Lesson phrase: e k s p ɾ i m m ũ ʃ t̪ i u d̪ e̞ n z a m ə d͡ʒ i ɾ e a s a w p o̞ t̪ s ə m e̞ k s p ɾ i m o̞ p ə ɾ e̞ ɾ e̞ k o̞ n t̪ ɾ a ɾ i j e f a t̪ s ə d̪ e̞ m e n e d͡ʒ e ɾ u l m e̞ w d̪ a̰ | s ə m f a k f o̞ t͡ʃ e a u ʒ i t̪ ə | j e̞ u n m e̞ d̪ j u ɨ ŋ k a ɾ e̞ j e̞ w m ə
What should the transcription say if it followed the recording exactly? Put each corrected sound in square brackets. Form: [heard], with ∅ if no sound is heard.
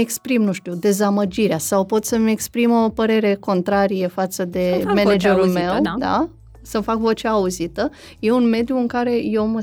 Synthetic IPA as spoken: e k s p ɾ i m [n] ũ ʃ t̪ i u d̪ e̞ [∅] z a m ə d͡ʒ i ɾ e a s a w p o̞ t̪ s ə m e̞ k s p ɾ i m o̞ p ə ɾ e̞ ɾ e̞ k o̞ n t̪ ɾ a ɾ i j e f a t̪ s ə d̪ e̞ m e n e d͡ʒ e ɾ u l m e̞ w d̪ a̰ | s ə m f a k [v] o̞ t͡ʃ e a u [z] i t̪ ə | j e̞ u n m e̞ d̪ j u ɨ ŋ k a ɾ e̞ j e̞ w m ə